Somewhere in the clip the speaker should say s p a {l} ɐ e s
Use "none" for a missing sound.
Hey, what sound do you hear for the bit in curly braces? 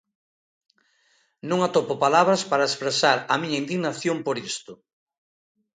ɾ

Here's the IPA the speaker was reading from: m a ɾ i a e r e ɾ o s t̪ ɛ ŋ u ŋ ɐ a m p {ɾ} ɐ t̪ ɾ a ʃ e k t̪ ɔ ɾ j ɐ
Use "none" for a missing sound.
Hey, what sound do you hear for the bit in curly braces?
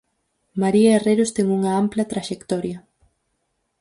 l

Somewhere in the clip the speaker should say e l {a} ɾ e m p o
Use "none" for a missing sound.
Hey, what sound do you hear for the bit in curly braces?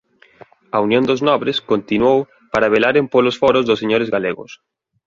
a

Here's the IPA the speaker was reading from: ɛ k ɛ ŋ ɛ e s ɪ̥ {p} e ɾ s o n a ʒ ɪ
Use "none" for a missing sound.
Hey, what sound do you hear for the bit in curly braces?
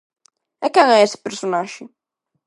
p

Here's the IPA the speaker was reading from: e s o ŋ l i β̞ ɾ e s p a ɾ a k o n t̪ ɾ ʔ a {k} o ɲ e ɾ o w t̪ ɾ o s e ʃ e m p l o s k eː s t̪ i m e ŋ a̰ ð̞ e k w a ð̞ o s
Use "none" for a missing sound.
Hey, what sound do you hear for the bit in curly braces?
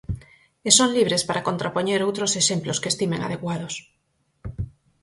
p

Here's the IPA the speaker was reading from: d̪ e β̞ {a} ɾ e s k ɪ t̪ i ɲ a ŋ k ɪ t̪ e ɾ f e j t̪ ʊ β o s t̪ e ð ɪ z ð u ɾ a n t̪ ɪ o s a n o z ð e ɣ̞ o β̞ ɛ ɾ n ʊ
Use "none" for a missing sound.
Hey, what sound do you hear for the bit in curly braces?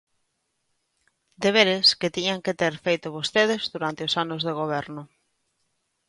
e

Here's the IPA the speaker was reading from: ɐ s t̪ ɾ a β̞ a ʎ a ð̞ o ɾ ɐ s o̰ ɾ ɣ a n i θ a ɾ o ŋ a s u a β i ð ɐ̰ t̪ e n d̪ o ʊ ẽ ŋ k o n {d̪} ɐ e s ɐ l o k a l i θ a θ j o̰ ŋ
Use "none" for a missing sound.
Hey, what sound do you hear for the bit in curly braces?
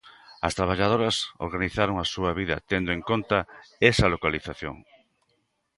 t̪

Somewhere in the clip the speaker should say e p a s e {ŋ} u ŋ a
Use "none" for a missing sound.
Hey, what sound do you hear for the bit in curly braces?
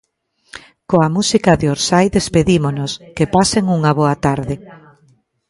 ŋ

